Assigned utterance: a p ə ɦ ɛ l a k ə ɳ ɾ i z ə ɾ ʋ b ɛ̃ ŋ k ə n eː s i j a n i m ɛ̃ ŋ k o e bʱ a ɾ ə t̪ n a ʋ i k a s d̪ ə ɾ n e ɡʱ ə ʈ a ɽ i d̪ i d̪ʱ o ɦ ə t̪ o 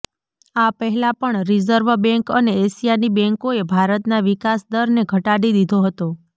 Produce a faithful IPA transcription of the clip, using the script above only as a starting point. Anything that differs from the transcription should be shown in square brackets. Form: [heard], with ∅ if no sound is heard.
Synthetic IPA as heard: a p ə ɦ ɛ l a [p] ə ɳ ɾ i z ə ɾ ʋ b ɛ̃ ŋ k ə n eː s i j a n i [b] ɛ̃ ŋ k o e bʱ a ɾ ə t̪ n a ʋ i k a s d̪ ə ɾ n e ɡʱ ə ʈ a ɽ i d̪ i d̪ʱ o ɦ ə t̪ o

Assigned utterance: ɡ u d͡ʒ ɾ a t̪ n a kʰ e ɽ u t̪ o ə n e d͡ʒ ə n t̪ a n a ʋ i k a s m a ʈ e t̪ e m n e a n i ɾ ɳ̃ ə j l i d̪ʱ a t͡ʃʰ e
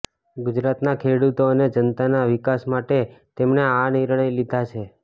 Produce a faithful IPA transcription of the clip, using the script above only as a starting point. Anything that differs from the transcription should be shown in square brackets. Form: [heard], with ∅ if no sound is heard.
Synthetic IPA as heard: ɡ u d͡ʒ ɾ a t̪ n a kʰ e ɽ u t̪ o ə n e d͡ʒ ə n t̪ a n a ʋ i k a s m a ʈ e t̪ e m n e a n i ɾ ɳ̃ ə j l i d̪ʱ a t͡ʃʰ e

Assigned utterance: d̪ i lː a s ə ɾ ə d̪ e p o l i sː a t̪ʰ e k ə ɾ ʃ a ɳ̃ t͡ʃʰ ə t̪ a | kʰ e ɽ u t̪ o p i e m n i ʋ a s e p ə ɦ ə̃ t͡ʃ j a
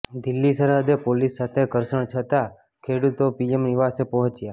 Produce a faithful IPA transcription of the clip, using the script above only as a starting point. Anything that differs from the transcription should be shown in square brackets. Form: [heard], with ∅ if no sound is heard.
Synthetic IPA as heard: d̪ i lː [i] s ə ɾ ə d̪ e p o l i sː a t̪ʰ e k ə ɾ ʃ [ə] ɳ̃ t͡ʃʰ ə t̪ a | kʰ e ɽ u t̪ o p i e m n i ʋ a s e p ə ɦ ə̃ t͡ʃ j a

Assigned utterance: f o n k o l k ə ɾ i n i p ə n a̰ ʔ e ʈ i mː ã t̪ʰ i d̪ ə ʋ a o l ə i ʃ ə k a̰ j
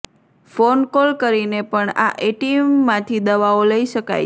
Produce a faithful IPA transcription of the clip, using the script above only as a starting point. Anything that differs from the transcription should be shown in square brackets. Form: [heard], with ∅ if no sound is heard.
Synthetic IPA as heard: f o n k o l k ə ɾ i n [e] p ə [ɳ] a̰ ʔ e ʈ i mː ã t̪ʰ i d̪ ə ʋ a o l ə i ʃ ə k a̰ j

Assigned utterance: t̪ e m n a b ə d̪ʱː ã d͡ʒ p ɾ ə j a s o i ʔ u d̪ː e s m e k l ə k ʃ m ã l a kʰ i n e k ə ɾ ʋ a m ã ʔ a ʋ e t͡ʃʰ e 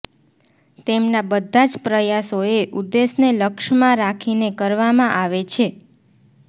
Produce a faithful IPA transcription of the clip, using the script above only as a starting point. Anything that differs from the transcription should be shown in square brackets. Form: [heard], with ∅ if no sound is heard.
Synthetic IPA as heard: t̪ e m n a b ə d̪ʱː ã d͡ʒ p ɾ ə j a s o [e] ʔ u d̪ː e s [n] e [∅] l ə k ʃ m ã [ɾ] a kʰ i n e k ə ɾ ʋ a m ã ʔ a ʋ e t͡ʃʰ e

